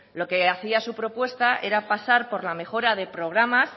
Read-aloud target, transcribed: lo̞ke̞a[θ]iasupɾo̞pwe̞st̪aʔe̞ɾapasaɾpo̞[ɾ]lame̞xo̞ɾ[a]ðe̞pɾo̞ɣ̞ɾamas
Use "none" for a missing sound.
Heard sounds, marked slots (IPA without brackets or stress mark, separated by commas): θ, ɾ, a